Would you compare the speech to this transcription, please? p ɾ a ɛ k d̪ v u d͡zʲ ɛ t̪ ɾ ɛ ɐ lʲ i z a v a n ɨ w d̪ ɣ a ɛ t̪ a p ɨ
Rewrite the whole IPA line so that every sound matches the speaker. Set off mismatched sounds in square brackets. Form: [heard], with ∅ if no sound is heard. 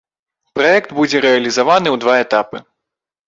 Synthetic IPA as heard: p ɾ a ɛ k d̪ [b] u d͡zʲ ɛ [∅] ɾ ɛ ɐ lʲ i z a v a n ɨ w d̪ [v] a ɛ t̪ a p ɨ